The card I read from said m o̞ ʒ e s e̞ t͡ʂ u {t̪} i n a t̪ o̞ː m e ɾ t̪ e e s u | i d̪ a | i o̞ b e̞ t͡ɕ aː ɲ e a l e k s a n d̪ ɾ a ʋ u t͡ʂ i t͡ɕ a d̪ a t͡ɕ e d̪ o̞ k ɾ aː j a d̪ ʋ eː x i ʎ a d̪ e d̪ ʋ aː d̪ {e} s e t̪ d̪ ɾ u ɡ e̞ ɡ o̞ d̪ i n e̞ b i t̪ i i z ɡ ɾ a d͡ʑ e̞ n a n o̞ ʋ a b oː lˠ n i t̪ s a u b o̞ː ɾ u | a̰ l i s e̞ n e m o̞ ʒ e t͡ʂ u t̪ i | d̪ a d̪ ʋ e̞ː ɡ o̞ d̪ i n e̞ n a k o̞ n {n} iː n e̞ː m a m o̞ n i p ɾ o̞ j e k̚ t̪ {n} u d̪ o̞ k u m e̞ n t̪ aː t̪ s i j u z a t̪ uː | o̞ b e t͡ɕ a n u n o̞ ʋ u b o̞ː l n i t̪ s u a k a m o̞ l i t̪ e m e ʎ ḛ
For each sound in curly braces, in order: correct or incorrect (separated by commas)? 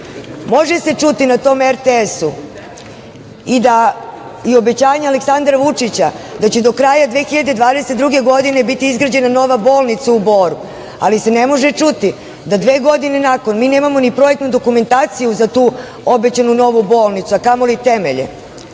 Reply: correct, correct, incorrect, correct